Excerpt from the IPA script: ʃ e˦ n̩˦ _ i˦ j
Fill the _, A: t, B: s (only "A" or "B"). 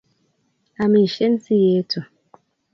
A